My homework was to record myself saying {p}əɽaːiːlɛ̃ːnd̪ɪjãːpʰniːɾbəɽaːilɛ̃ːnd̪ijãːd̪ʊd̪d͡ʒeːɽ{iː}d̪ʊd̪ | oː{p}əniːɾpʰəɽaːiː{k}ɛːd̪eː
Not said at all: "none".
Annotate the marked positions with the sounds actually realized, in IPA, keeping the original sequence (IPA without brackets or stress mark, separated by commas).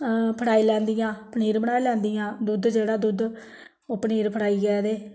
pʰ, aː, p, ɡ